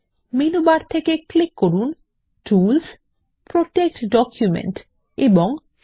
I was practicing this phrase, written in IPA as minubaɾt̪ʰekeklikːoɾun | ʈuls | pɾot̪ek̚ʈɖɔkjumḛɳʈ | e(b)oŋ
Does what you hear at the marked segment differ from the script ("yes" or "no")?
no